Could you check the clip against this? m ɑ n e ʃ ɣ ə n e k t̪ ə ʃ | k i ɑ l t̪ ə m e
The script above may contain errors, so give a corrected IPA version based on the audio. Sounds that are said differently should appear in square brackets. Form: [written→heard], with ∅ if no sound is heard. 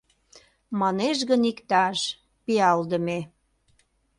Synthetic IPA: m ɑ n e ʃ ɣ ə n [e→i] k t̪ [ə→ɑ] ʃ | [k→p] i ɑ l [t̪→d̪] ə m e